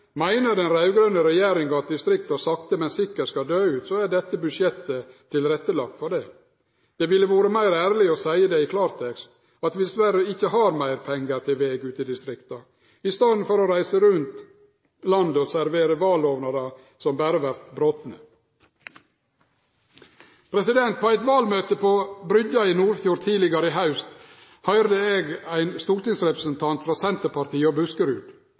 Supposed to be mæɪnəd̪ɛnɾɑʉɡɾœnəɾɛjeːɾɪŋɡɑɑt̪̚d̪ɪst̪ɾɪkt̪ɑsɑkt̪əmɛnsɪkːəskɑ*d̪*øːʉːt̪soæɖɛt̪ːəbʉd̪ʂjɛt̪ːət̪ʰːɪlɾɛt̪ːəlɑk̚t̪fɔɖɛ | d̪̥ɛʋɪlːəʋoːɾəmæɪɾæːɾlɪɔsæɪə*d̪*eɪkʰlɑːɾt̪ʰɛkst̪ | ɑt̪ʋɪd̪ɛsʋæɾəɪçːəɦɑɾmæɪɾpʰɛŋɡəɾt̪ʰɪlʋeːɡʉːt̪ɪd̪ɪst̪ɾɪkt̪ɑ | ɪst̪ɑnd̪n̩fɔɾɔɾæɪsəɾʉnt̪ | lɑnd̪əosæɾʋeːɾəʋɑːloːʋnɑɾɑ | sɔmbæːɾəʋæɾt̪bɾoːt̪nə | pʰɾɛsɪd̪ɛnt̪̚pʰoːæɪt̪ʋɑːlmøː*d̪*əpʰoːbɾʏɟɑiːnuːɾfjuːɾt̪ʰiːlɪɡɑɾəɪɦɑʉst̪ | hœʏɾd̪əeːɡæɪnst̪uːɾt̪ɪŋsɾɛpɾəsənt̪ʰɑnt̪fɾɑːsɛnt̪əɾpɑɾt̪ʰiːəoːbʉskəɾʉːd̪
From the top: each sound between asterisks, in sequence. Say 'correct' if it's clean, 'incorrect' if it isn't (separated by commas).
correct, correct, incorrect